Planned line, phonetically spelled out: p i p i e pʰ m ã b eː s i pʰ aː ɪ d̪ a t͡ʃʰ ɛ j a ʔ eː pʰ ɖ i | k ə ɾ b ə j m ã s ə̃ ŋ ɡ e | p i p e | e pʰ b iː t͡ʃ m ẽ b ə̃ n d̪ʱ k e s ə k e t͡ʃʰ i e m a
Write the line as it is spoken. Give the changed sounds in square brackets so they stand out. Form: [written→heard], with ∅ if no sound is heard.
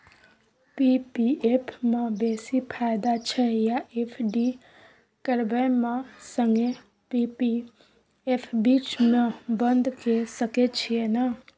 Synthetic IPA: p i p i e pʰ m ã b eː s i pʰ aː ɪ d̪ a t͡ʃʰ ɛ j a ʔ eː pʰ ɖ i | k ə ɾ b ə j m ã s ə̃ ŋ ɡ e | p i p [e→i] | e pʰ b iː t͡ʃ m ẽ b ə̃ n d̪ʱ k e s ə k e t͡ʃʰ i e [m→n] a

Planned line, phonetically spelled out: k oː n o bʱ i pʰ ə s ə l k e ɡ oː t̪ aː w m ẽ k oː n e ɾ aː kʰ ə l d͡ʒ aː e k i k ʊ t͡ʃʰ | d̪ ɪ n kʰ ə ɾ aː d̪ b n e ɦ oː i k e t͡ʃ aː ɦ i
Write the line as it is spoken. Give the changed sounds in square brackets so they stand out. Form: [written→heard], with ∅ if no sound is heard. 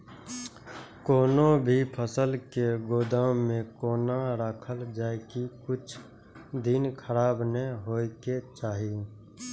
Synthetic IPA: k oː n o bʱ i pʰ ə s ə l k e ɡ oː [t̪→d̪] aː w m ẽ k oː n [e→a] ɾ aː kʰ ə l d͡ʒ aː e k i k ʊ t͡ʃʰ | d̪ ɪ n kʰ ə ɾ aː [d̪→∅] b n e ɦ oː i k e t͡ʃ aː ɦ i

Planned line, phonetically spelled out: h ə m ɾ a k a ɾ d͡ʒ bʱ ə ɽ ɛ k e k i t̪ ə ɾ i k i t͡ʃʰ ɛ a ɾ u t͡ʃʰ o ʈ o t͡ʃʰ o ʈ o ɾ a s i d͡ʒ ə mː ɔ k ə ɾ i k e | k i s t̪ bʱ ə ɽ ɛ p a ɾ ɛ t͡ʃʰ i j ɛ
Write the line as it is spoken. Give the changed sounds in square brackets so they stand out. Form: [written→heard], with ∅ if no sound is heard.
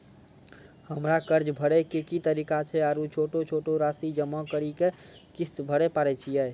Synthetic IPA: h ə m ɾ a k [a→ə] ɾ d͡ʒ bʱ ə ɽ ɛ k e k i t̪ ə ɾ i k [i→a] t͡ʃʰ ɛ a ɾ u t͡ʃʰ o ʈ o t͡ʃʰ o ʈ o ɾ a s i d͡ʒ ə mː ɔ k ə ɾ i k e | k i s t̪ bʱ ə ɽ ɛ p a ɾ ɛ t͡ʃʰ i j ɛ

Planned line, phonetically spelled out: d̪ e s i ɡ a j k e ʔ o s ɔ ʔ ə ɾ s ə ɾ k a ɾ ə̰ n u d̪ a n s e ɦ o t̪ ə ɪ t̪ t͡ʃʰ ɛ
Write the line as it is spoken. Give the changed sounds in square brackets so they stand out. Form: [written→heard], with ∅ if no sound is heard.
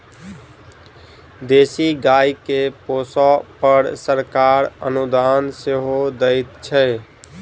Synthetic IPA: d̪ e s i ɡ a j k e [ʔ→p] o s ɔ [ʔ→p] ə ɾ s ə ɾ k a ɾ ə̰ n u d̪ a n s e ɦ o [t̪→d̪] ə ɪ t̪ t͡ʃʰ ɛ

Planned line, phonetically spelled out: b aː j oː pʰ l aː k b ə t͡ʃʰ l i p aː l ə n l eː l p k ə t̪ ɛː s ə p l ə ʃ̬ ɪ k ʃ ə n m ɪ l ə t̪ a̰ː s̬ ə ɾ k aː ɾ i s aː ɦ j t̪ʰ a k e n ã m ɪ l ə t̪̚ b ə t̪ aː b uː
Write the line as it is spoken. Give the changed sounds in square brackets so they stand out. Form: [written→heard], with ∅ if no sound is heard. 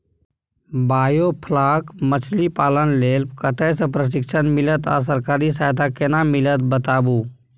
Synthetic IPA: b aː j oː pʰ l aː k [b→m] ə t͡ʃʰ l i p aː l ə n l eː l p k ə t̪ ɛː s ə p [l→ɾ] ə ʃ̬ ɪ k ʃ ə n m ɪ l ə t̪ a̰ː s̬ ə ɾ k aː ɾ i s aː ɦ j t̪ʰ a k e n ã m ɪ l ə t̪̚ b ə t̪ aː b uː

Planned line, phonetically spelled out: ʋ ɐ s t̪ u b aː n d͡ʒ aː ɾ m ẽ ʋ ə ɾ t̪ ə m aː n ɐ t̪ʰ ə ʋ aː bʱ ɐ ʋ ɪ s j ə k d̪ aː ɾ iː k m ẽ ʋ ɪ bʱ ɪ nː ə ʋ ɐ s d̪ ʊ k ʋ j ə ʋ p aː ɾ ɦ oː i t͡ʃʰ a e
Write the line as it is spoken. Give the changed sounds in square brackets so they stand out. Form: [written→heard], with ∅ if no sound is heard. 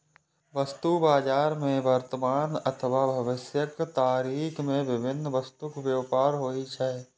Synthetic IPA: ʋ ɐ s t̪ u b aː [n→∅] d͡ʒ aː ɾ m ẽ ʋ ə ɾ t̪ ə m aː n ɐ t̪ʰ ə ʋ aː bʱ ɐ ʋ ɪ s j ə k [d̪→t̪] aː ɾ iː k m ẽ ʋ ɪ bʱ ɪ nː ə ʋ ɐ s [d̪→t̪] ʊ k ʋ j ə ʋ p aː ɾ ɦ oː i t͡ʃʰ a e

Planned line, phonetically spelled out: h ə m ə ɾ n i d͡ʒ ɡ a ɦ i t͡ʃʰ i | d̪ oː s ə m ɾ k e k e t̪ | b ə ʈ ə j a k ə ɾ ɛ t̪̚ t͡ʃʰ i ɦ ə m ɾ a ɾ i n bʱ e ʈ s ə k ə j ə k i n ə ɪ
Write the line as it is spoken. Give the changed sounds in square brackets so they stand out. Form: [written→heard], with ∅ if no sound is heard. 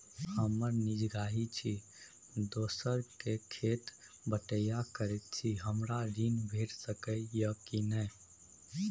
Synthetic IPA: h ə m ə ɾ n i d͡ʒ ɡ a ɦ i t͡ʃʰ i | d̪ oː s ə [m→∅] ɾ k e [k→kʰ] e t̪ | b ə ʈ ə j a k ə ɾ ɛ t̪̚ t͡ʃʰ i ɦ ə m ɾ a ɾ i n bʱ e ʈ s ə k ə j ə k i n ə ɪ

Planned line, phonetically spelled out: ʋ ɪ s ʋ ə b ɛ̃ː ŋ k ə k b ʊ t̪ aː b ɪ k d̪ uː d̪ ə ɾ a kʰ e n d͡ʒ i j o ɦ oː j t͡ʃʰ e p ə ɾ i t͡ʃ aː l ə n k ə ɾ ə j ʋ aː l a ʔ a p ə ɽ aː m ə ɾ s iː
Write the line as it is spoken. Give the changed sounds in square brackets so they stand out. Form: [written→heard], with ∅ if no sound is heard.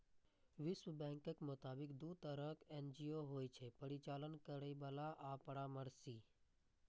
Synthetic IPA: ʋ ɪ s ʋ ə b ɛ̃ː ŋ k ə k [b→m] ʊ t̪ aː b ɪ k d̪ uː [d̪→t̪] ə ɾ [a→ə] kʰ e n d͡ʒ i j o ɦ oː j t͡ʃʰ e p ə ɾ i t͡ʃ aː l ə n k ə ɾ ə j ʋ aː l a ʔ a p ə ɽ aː m ə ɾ s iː

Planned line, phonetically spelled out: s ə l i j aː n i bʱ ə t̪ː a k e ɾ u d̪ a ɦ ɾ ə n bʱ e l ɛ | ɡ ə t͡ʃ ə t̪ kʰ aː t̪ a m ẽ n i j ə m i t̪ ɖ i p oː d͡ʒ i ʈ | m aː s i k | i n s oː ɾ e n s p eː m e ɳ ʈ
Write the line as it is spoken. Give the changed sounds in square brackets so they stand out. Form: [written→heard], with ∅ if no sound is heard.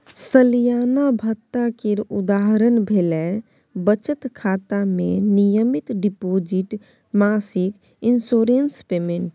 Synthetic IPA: s ə l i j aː n [i→a] bʱ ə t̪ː a k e ɾ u d̪ a ɦ ɾ ə n bʱ e l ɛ | [ɡ→b] ə t͡ʃ ə t̪ kʰ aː t̪ a m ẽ n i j ə m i t̪ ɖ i p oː d͡ʒ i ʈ | m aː s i k | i n s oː ɾ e n s p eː m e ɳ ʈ

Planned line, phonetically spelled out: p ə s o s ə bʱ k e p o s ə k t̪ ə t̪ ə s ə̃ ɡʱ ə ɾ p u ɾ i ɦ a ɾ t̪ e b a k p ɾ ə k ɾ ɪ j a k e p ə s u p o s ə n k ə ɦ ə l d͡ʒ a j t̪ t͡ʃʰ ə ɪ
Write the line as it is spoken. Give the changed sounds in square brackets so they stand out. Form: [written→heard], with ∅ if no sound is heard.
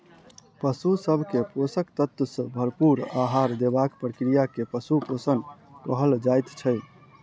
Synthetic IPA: p ə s [o→u] s ə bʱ k e p o s ə k t̪ ə t̪ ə s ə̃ [ɡʱ→bʱ] ə ɾ p u ɾ [i→a] ɦ a ɾ [t̪→d̪] e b a k p ɾ ə k ɾ [ɪ→i] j a k e p ə s u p o s ə n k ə ɦ ə l d͡ʒ a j t̪ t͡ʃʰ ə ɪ

